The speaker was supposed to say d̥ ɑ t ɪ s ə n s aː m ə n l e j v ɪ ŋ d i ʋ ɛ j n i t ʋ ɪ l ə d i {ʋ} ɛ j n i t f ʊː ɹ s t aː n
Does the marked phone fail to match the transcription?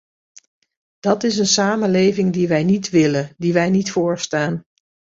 no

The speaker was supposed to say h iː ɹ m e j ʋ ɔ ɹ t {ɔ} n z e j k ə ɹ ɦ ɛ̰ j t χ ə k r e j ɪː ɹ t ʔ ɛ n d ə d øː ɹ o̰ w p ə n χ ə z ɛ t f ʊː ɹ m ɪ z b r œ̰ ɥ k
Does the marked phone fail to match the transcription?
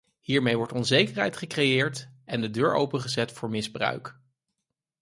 no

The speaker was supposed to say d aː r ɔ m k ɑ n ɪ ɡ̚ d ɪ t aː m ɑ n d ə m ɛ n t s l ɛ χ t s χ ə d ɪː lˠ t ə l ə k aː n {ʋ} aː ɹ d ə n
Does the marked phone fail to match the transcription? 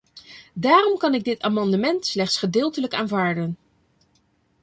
yes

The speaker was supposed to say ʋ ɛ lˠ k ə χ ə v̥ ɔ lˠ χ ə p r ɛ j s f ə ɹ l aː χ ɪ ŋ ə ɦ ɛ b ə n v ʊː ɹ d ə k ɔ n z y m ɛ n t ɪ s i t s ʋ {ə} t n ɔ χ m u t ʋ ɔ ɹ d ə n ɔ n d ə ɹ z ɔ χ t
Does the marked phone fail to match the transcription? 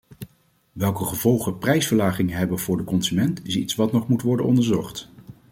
yes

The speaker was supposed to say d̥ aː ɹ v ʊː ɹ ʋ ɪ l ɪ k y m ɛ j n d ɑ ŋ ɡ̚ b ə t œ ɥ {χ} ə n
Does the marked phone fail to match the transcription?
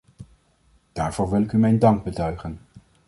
no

